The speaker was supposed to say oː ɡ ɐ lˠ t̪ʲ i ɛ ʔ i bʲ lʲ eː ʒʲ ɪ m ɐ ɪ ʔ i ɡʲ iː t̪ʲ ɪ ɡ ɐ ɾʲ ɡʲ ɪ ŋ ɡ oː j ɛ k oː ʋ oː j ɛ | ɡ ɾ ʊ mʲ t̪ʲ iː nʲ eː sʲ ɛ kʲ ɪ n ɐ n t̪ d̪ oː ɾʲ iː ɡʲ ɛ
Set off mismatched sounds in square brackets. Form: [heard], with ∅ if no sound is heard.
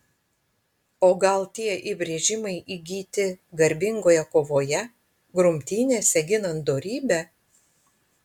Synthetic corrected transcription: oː ɡ ɐ lˠ t̪ʲ i ɛ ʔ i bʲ [ɾʲ] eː ʒʲ ɪ m ɐ ɪ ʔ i ɡʲ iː t̪ʲ ɪ ɡ ɐ ɾʲ [bʲ] ɪ ŋ ɡ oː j ɛ k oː ʋ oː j ɛ | ɡ ɾ ʊ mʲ t̪ʲ iː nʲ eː sʲ ɛ [ɡʲ] ɪ n ɐ n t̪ d̪ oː ɾʲ iː [bʲ] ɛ